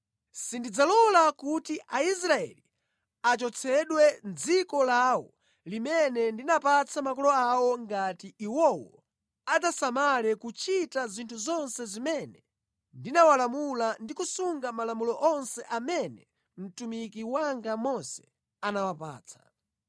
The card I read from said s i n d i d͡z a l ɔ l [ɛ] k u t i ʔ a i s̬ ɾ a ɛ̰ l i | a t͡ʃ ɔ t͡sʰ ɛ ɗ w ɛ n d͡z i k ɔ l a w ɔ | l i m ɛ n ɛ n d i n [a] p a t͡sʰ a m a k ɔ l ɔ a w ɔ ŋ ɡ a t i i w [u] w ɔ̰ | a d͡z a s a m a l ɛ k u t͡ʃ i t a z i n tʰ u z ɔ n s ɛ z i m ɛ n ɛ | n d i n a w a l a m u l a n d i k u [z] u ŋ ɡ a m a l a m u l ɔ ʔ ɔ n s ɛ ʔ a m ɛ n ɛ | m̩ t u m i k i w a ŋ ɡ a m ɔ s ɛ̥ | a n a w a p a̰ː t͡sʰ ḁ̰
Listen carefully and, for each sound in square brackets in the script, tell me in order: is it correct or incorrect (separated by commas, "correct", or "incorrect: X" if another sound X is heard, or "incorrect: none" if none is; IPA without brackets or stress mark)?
incorrect: a, correct, incorrect: ɔ, incorrect: s